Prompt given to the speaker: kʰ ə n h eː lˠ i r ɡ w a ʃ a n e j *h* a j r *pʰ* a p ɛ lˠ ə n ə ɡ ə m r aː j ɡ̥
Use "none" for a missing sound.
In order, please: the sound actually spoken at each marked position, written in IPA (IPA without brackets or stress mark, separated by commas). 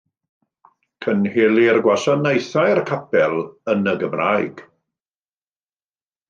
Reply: θ, kʰ